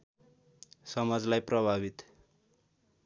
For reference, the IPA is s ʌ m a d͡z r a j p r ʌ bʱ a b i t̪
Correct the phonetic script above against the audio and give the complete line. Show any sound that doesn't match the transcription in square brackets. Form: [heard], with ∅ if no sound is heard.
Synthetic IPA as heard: s ʌ m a d͡z [l] a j p r ʌ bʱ a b i t̪